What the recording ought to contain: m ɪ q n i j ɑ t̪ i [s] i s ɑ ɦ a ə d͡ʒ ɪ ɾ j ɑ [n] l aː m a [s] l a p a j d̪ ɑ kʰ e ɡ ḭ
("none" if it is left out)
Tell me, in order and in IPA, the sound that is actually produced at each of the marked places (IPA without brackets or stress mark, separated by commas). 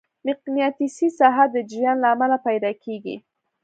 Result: s, n, none